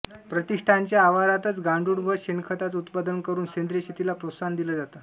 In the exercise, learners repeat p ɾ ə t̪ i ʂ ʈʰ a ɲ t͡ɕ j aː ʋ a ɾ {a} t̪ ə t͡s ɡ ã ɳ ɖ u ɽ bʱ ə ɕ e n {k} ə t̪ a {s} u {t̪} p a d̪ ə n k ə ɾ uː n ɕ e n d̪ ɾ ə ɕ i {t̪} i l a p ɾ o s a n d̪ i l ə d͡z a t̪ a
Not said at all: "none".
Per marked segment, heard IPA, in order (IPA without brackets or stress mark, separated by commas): a, kʰ, t͡s, t̪, t̪